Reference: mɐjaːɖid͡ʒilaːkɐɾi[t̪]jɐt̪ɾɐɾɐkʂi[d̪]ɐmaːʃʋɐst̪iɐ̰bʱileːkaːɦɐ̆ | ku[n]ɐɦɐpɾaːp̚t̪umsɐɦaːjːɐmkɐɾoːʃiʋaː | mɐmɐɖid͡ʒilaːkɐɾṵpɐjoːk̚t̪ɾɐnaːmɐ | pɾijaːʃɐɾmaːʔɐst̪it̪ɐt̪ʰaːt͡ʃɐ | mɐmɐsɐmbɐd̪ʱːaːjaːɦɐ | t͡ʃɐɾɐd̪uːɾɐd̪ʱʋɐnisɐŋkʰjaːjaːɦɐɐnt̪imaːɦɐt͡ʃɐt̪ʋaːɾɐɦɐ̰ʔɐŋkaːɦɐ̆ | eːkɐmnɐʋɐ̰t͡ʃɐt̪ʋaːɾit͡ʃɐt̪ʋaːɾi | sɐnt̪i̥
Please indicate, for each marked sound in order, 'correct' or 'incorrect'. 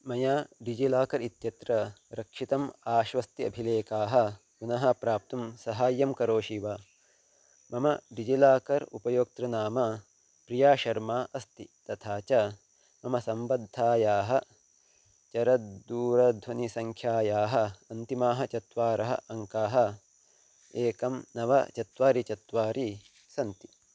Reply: correct, incorrect, correct

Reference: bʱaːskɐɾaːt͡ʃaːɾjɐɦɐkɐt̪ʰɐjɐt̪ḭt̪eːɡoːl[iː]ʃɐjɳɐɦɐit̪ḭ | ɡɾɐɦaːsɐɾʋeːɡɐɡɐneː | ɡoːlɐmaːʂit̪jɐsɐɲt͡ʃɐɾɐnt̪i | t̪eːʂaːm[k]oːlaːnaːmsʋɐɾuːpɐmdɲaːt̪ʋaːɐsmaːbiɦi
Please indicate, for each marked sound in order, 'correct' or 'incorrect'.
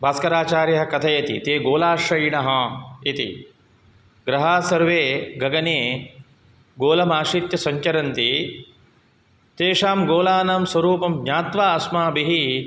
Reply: incorrect, incorrect

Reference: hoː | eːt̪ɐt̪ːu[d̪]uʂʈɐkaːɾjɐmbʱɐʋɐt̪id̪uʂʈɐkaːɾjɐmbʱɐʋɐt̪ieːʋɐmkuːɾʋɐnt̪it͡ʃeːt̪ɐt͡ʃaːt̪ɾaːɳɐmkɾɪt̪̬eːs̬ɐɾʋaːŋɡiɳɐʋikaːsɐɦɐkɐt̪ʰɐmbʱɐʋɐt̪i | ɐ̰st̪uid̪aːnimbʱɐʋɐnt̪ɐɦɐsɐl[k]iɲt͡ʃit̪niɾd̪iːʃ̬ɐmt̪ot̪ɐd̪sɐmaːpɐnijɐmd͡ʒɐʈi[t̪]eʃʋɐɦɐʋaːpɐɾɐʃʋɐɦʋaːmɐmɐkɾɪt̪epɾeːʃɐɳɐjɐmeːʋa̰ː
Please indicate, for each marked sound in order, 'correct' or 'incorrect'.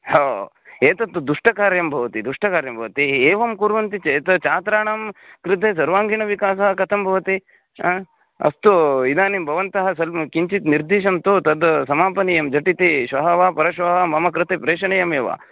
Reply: correct, correct, correct

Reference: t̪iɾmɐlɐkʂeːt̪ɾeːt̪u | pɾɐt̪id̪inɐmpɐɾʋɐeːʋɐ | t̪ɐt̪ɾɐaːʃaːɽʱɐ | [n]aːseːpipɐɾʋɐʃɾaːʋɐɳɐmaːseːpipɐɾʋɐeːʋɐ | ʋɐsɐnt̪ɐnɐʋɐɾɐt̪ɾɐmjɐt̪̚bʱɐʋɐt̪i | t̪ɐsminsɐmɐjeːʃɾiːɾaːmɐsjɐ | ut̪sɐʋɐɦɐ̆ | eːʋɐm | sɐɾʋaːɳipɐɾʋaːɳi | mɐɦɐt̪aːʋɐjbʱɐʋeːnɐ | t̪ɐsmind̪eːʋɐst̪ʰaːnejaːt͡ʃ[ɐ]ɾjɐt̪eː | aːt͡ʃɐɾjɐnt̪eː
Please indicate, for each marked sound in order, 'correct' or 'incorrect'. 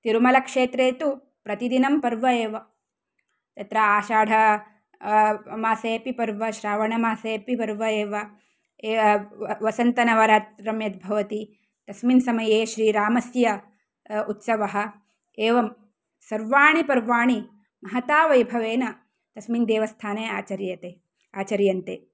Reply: incorrect, correct

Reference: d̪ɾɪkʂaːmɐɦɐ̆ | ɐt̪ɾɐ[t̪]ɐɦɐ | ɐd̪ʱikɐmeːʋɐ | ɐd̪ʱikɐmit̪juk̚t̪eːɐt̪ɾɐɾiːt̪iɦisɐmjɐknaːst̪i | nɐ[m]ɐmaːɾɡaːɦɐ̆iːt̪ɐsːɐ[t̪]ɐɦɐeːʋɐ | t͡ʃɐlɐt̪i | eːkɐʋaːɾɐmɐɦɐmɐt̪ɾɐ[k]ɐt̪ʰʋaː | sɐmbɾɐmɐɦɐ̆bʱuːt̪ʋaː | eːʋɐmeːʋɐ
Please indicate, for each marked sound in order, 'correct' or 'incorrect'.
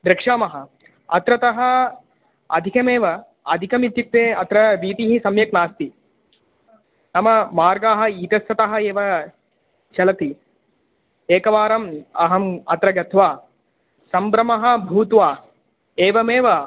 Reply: correct, correct, correct, incorrect

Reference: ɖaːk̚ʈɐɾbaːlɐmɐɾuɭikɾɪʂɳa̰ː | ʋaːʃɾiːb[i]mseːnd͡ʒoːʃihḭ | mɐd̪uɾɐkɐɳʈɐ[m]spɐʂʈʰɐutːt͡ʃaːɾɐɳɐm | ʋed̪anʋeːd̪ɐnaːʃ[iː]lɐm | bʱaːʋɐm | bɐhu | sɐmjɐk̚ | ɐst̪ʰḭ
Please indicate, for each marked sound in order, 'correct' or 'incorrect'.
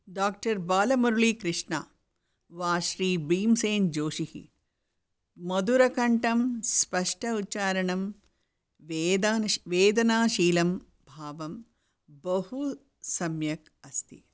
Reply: incorrect, correct, correct

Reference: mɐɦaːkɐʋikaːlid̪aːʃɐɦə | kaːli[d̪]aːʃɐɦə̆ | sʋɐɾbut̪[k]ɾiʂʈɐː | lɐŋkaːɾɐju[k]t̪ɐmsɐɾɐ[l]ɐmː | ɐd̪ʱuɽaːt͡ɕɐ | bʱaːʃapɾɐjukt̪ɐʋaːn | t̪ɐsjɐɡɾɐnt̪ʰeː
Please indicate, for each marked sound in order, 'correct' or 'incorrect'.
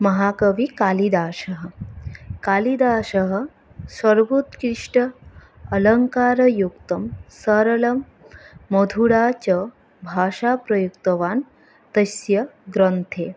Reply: correct, correct, correct, correct

